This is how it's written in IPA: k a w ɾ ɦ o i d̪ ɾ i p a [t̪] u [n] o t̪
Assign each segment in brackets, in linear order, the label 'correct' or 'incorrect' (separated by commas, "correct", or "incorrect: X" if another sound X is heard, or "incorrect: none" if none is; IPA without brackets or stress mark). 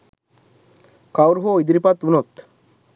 correct, correct